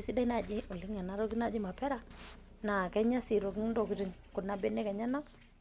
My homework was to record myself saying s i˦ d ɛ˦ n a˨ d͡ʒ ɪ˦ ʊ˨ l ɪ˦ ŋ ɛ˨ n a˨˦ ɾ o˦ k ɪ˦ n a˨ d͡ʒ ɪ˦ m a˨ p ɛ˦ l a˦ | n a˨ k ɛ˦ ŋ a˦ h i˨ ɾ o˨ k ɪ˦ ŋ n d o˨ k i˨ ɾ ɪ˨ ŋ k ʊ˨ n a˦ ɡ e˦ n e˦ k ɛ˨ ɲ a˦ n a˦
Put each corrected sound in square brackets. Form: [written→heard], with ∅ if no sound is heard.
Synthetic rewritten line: s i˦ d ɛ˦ n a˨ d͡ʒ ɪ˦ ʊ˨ l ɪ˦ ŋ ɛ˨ n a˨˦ ɾ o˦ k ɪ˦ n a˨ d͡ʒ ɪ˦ m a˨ p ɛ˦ [l→ɾ] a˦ | n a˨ k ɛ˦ [ŋ→ɲ] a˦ [h→s] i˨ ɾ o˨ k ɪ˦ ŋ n d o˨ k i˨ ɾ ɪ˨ ŋ k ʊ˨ n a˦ [ɡ→b] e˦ n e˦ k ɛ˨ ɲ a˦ n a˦